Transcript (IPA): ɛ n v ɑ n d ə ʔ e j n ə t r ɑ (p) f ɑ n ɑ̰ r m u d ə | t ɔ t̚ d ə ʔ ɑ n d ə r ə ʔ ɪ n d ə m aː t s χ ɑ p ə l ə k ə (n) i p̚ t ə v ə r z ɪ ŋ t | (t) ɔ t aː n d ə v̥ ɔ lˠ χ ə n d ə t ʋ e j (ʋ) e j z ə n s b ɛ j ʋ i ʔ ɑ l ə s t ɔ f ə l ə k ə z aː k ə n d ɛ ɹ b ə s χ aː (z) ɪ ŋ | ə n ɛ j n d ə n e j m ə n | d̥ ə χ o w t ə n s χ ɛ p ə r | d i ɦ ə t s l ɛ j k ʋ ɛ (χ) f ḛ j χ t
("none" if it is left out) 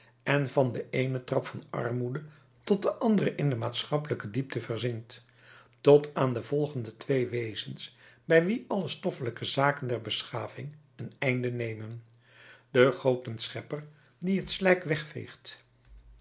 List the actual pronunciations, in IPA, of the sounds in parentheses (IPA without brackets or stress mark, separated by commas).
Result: p, d, t, ʋ, v, χ